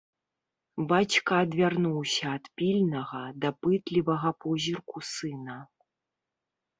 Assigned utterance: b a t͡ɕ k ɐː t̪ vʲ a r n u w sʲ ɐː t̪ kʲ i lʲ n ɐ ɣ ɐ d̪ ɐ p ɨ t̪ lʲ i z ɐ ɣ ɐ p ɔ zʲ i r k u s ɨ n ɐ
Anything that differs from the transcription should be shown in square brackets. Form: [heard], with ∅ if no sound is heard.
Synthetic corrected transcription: b a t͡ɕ k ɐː [d̪] vʲ a r n u w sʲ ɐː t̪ [pʲ] i lʲ n ɐ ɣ ɐ d̪ ɐ p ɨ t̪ lʲ i [v] ɐ ɣ ɐ p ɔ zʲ i r k u s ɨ n ɐ

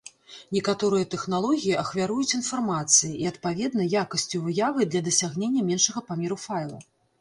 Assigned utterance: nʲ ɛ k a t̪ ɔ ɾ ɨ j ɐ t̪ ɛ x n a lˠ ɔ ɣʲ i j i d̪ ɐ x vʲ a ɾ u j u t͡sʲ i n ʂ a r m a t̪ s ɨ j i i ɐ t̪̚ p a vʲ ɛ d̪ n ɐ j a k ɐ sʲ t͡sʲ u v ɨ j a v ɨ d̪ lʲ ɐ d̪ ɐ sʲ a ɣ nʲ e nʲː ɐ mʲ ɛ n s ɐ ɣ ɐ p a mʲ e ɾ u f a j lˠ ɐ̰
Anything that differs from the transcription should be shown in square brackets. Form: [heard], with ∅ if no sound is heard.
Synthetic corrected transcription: nʲ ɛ k a t̪ ɔ ɾ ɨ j ɐ t̪ ɛ x n a lˠ ɔ ɣʲ i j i [∅] ɐ x vʲ a ɾ u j u t͡sʲ i n [f] a r m a t̪ s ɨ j i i ɐ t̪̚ p a vʲ ɛ d̪ n ɐ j a k ɐ sʲ t͡sʲ u v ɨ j a v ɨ d̪ lʲ ɐ d̪ ɐ sʲ a ɣ nʲ e nʲː ɐ mʲ ɛ n [ʂ] ɐ ɣ ɐ p a mʲ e ɾ u f a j lˠ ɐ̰

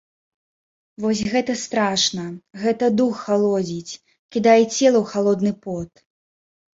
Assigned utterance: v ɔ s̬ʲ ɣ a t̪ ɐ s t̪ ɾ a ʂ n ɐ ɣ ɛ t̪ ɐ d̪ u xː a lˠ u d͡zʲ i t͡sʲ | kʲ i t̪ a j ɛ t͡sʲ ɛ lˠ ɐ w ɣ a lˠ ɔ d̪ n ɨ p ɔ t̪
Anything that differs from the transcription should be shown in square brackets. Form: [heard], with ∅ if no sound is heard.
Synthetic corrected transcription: v ɔ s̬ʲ ɣ [ɛ] t̪ ɐ s t̪ ɾ a ʂ n ɐ ɣ ɛ t̪ ɐ d̪ u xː a lˠ [ɔ] d͡zʲ i t͡sʲ | kʲ i [d̪] a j ɛ t͡sʲ ɛ lˠ ɐ w [x] a lˠ ɔ d̪ n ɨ p ɔ t̪

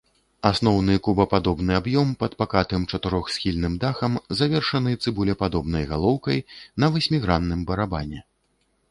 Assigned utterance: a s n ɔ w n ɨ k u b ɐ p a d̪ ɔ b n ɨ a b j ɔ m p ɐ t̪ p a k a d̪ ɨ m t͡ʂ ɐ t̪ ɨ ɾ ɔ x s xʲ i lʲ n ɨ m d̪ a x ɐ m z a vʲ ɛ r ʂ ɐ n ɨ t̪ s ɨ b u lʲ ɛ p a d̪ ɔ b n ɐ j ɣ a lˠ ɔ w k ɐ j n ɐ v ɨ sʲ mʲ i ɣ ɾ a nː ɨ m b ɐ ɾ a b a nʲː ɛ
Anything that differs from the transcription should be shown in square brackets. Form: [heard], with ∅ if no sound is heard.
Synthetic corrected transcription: a s n ɔ w n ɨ k u b ɐ p a d̪ ɔ b n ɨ a b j ɔ m p ɐ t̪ p a k a [t̪] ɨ m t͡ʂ ɐ t̪ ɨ ɾ ɔ x s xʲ i lʲ n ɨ m d̪ a x ɐ m z a vʲ ɛ r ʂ ɐ n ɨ t̪ s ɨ b u lʲ ɛ p a d̪ ɔ b n ɐ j ɣ a lˠ ɔ w k ɐ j n ɐ v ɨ sʲ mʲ i ɣ ɾ a nː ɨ m b ɐ ɾ a b a [nʲ] ɛ

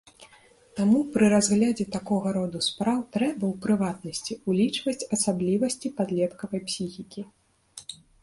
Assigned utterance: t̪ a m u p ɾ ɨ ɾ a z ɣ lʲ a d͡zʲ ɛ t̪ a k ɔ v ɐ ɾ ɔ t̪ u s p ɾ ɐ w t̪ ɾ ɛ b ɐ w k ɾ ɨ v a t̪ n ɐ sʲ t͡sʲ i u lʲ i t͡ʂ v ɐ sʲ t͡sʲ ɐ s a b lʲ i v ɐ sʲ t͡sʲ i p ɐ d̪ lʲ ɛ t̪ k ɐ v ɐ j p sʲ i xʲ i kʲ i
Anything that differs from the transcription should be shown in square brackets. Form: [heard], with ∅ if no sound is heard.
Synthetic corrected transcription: t̪ a m u p ɾ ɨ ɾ a z ɣ lʲ a d͡zʲ ɛ t̪ a k ɔ [ɣ] ɐ ɾ ɔ [d̪] u s p ɾ [a] w t̪ ɾ ɛ b ɐ w [p] ɾ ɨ v a t̪ n ɐ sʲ t͡sʲ i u lʲ i t͡ʂ v ɐ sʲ t͡sʲ ɐ s a b lʲ i v ɐ sʲ t͡sʲ i p [a] d̪ lʲ ɛ t̪ k ɐ v ɐ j p sʲ i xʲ i kʲ i

